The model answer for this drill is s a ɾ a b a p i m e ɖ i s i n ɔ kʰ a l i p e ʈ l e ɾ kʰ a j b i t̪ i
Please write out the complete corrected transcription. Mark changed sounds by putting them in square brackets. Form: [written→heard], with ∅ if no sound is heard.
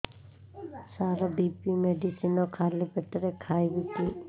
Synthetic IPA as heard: s a ɾ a b [a→i] p i m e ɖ i s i n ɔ kʰ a l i p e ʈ [l→ɾ] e [ɾ→∅] kʰ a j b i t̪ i